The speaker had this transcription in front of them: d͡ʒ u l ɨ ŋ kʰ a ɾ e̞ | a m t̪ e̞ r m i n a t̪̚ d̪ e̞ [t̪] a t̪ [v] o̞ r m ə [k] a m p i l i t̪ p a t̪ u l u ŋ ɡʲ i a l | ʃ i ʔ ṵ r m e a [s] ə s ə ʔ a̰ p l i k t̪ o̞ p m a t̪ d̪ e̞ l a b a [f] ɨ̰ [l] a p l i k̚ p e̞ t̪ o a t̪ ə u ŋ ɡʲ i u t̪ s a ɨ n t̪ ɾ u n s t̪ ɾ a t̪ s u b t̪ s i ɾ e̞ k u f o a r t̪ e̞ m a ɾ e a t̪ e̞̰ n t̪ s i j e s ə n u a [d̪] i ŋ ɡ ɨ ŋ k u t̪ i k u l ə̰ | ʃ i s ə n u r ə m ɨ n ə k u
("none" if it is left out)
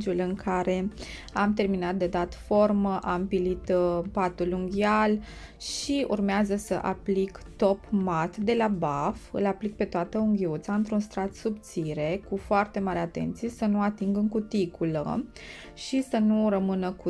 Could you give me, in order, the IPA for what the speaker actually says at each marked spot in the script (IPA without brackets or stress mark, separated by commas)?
d̪, f, ʔ, z, f, l, t̪